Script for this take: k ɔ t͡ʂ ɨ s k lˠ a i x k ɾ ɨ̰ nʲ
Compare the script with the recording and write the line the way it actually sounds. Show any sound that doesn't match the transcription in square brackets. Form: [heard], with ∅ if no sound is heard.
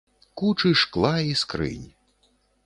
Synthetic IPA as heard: k [u] t͡ʂ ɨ [ʂ] k lˠ a i [s] k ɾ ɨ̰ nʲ